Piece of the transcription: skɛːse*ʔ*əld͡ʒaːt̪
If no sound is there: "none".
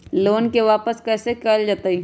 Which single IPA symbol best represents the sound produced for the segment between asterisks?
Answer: k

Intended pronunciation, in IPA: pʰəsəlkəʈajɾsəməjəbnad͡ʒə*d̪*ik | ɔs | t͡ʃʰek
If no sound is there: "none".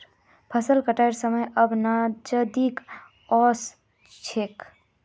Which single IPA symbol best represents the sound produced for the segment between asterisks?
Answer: d̪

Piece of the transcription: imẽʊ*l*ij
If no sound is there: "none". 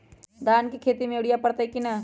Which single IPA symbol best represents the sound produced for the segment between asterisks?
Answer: ɽ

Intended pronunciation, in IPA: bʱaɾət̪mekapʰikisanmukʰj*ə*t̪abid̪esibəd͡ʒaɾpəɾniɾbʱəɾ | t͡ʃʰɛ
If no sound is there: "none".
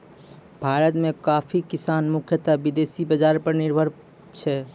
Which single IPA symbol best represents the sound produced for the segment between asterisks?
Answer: ə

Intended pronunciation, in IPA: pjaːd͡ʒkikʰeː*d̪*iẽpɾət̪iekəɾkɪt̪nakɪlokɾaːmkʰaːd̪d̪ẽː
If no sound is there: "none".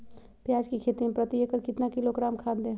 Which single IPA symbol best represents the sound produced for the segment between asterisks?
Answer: t̪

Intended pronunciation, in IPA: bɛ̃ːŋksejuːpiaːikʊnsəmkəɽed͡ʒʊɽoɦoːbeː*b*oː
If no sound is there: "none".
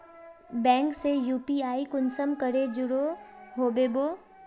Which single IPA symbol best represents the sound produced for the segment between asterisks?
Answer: b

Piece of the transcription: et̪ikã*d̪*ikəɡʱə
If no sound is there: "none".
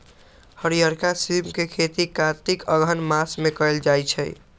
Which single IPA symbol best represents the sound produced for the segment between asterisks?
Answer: t̪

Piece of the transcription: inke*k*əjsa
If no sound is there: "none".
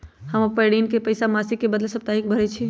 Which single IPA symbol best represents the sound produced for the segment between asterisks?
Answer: p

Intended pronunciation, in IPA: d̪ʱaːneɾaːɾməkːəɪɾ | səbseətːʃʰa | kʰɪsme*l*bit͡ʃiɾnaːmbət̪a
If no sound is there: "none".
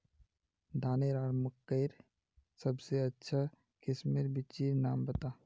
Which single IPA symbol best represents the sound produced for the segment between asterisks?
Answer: ɾ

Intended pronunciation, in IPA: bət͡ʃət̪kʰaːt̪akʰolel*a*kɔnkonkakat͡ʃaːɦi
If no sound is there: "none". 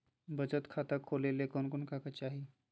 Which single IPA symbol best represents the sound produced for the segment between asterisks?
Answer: e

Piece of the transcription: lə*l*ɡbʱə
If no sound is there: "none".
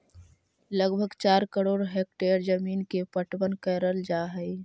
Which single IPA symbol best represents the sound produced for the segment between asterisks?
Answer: none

